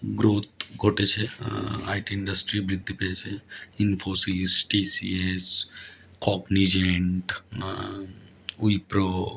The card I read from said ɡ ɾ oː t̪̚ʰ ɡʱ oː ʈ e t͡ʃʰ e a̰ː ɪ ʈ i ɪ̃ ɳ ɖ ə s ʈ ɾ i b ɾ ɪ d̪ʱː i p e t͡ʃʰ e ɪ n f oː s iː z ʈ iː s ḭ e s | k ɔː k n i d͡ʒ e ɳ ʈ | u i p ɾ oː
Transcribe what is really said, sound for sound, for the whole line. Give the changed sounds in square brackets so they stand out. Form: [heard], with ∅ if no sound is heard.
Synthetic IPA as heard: ɡ ɾ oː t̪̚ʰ ɡʱ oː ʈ e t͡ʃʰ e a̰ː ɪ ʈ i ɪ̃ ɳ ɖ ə s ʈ ɾ i b ɾ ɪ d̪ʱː i p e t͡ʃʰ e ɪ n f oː s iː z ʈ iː s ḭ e s | k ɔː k n i d͡ʒ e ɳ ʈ | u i p ɾ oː